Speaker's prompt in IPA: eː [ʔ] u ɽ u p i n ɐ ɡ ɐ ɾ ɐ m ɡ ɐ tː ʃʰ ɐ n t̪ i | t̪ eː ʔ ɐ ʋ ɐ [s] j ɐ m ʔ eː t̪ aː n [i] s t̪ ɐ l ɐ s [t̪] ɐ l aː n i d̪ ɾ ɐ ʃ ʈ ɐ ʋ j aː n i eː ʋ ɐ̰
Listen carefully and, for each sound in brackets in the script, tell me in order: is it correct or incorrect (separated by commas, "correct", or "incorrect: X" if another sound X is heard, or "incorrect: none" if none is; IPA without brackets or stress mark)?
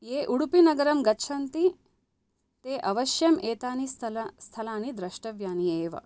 correct, incorrect: ʃ, correct, incorrect: t̪ʰ